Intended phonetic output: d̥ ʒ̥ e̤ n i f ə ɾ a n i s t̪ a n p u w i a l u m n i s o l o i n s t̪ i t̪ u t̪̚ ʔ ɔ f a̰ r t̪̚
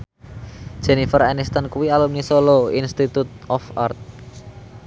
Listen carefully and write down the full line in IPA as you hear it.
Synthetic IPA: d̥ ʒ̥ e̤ n i f ə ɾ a n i s t̪ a n k u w i a l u m n i s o l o i n s t̪ i t̪ u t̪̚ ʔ ɔ f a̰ r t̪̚